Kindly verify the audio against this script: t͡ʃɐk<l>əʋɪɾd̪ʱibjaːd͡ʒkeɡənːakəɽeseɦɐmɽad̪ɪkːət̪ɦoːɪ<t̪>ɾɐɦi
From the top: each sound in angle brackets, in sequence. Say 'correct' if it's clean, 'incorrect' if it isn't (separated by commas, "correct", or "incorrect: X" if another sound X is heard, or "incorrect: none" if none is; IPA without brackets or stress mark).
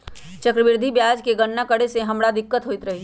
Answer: incorrect: ɾ, correct